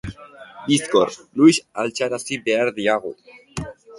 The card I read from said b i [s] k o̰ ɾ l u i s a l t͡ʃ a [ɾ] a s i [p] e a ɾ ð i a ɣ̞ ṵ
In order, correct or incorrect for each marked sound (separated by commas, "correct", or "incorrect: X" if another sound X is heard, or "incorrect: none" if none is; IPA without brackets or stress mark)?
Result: correct, correct, incorrect: b